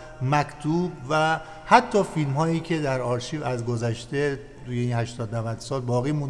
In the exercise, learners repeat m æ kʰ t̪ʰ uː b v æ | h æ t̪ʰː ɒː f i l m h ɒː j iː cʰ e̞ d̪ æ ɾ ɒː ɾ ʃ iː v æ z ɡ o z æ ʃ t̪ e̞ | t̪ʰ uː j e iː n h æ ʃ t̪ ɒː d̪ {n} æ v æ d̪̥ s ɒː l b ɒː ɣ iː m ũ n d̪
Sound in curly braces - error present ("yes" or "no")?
no